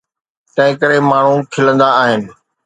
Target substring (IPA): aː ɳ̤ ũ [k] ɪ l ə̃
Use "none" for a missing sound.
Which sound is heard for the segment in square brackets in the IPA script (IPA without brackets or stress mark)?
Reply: kʰ